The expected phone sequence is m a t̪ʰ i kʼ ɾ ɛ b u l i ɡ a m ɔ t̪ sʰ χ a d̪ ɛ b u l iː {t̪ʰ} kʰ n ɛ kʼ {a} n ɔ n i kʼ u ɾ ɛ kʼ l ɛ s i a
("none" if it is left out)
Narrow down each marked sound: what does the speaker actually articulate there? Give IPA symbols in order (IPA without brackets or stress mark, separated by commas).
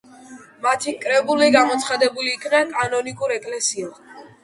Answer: none, a